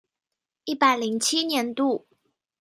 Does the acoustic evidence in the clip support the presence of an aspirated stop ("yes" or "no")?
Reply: yes